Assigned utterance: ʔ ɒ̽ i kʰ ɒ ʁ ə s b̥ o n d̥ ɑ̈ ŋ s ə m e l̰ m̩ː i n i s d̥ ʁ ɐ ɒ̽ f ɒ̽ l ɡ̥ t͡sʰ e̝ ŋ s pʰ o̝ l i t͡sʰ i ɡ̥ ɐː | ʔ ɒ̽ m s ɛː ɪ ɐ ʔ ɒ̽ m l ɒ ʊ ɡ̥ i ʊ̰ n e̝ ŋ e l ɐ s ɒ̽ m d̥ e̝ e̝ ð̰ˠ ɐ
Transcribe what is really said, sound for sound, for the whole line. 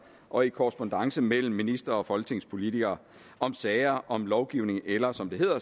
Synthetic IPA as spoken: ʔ ɒ̽ i kʰ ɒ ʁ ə s b̥ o n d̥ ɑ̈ ŋ s ə m e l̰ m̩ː i n i s d̥ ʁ ɐ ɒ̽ f ɒ̽ l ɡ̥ t͡sʰ e̝ ŋ s pʰ o̝ l i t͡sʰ i ɡ̥ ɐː | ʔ ɒ̽ m s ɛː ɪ ɐ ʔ ɒ̽ m l ɒ ʊ ɡ̥ i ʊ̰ n e̝ ŋ e l ɐ s ɒ̽ m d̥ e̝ e̝ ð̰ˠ ɐ